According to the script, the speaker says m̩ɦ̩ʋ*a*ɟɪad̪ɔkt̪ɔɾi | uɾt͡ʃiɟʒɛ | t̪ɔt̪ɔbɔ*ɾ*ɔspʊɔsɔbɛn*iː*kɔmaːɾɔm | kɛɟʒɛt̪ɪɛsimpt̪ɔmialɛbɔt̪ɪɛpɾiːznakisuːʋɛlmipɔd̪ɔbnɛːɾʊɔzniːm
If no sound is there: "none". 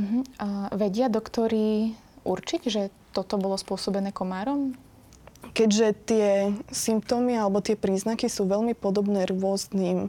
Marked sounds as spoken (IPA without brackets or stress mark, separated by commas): ɛ, l, ɛː